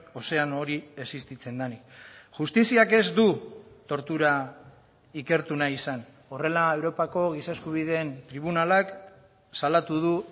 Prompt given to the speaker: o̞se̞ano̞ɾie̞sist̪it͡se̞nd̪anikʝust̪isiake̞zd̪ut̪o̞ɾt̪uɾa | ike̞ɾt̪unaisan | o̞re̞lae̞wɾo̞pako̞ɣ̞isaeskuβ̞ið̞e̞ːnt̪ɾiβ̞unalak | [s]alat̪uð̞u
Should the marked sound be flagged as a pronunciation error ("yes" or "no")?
no